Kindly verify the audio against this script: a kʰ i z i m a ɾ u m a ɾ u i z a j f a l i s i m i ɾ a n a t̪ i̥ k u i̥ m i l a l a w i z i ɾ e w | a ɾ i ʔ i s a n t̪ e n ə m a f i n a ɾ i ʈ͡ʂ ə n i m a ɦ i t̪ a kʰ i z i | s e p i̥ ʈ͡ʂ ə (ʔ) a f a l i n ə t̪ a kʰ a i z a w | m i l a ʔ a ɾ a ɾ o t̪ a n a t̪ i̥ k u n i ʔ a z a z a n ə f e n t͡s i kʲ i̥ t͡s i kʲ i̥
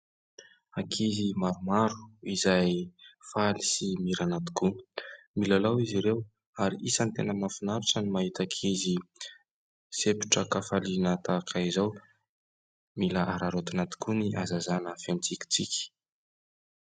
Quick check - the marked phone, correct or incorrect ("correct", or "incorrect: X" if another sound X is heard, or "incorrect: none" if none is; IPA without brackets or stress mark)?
incorrect: k